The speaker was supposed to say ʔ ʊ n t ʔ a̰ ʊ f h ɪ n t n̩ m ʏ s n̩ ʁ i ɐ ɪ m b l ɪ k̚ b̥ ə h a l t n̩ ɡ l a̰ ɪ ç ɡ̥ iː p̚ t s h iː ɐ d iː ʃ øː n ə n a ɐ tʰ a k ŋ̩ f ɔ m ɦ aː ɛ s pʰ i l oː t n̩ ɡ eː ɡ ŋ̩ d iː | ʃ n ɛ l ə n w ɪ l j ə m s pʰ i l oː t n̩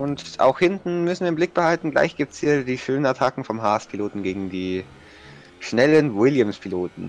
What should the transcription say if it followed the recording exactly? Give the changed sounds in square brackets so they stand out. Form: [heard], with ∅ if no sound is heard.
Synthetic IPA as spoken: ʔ ʊ n t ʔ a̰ ʊ [x] h ɪ n t n̩ m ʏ s n̩ [v] i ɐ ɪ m b l ɪ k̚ b̥ ə h a l t n̩ ɡ l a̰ ɪ ç ɡ̥ iː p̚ t s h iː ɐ d iː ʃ øː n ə n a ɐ tʰ a k ŋ̩ f ɔ m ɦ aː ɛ s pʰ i l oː t n̩ ɡ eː ɡ ŋ̩ d iː | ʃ n ɛ l ə n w ɪ l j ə m s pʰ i l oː t n̩

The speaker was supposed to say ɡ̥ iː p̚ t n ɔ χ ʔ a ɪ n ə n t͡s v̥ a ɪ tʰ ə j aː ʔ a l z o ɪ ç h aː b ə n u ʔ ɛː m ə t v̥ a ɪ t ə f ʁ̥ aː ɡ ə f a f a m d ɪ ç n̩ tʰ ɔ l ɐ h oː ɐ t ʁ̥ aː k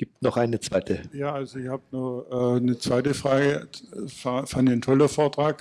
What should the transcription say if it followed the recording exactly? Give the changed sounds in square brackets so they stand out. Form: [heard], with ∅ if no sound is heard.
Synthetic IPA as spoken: ɡ̥ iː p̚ t n ɔ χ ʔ a ɪ n ə [∅] t͡s v̥ a ɪ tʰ ə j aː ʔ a l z o ɪ ç h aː b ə n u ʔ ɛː [n] ə [t͡s] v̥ a ɪ t ə f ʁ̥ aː ɡ ə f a f a [n] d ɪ ç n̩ tʰ ɔ l ɐ [f] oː ɐ t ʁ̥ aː k

